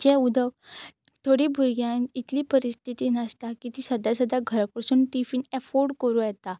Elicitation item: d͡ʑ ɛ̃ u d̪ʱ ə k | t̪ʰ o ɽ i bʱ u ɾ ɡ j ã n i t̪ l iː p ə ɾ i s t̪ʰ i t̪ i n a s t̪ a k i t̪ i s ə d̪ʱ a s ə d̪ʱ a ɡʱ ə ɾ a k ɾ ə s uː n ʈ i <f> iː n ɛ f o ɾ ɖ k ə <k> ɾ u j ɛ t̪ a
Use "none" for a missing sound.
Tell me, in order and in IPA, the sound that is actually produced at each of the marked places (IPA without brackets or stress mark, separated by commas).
f, none